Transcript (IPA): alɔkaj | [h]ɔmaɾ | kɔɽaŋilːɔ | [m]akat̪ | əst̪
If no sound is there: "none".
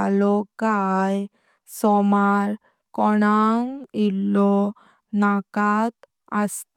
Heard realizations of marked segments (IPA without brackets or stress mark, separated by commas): s, n